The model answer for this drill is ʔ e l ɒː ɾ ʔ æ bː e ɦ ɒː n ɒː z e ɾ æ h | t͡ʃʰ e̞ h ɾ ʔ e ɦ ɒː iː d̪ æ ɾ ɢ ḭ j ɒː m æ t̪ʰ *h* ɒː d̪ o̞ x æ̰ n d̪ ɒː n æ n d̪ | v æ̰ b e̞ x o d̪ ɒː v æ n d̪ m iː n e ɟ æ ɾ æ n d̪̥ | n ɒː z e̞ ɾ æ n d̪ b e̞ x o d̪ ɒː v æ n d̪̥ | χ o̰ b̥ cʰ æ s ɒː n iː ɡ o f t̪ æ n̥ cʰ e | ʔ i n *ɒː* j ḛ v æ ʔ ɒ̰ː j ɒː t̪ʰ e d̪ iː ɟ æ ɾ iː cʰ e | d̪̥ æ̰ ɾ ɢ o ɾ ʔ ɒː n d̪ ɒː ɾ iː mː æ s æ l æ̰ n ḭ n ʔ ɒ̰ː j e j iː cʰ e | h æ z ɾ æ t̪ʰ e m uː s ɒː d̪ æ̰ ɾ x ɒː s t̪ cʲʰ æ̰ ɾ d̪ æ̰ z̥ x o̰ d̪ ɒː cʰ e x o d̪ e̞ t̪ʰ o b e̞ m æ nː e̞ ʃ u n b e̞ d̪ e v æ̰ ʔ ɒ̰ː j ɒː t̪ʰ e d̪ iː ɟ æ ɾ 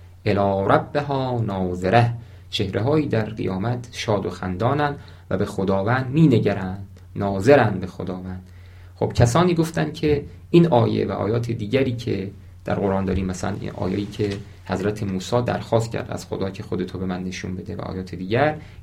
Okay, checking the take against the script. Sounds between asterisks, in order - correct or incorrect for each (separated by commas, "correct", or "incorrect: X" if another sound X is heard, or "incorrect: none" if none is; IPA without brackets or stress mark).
incorrect: ʃ, correct